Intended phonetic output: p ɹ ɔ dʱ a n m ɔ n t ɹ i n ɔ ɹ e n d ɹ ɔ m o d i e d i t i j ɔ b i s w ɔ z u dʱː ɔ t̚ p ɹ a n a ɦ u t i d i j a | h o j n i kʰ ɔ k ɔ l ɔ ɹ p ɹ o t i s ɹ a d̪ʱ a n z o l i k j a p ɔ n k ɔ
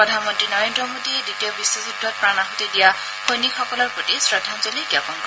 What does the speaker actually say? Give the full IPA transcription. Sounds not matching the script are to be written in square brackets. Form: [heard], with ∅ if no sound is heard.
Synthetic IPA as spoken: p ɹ ɔ dʱ a n m ɔ n t ɹ i n ɔ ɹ e n d ɹ ɔ m o d i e d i t i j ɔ b i s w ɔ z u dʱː ɔ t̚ p ɹ a n a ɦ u t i d i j a | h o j n i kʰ ɔ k ɔ l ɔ ɹ p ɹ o t i s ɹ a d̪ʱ a n z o l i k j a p ɔ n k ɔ